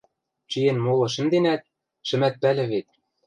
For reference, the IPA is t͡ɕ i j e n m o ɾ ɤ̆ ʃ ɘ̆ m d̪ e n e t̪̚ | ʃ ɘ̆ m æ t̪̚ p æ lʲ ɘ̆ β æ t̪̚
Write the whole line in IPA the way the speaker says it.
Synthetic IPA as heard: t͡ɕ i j e n m o l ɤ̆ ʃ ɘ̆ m d̪ e n æ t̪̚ | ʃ ɘ̆ m æ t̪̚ p æ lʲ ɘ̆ β e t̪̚